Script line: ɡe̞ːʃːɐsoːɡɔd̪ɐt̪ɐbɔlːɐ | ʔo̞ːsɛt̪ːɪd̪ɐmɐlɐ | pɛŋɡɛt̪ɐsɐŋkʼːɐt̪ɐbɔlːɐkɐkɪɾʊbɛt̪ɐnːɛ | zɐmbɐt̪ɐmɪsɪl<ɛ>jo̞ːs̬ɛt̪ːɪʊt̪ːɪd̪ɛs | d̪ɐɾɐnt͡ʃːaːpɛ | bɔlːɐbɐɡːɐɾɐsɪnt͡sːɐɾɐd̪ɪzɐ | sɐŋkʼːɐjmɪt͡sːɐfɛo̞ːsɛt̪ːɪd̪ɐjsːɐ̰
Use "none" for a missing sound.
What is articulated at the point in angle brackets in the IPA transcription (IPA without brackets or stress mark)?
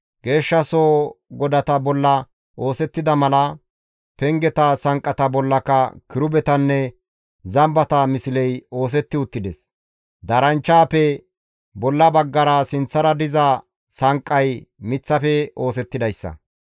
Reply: ɛ